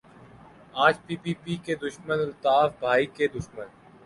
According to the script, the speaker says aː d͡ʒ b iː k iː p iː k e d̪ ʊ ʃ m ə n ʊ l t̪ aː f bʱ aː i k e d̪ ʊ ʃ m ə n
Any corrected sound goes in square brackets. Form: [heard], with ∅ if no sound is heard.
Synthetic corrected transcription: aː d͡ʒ [p] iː [p] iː p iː k e d̪ ʊ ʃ m ə n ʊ l t̪ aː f bʱ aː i k e d̪ ʊ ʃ m ə n

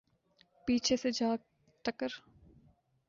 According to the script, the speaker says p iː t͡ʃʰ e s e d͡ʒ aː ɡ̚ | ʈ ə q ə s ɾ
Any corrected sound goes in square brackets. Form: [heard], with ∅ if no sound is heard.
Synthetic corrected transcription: p iː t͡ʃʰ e s e d͡ʒ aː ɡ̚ | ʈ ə [k] ə [∅] ɾ

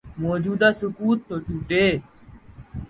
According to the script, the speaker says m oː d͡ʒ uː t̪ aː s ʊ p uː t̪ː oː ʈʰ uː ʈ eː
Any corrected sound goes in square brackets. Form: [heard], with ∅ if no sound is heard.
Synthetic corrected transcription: m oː d͡ʒ uː [d̪] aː s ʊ [k] uː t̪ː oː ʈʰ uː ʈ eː

